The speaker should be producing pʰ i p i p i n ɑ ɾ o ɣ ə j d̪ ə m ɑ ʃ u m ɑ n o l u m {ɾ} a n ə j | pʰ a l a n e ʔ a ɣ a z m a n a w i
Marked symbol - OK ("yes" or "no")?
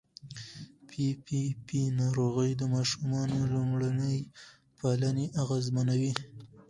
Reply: no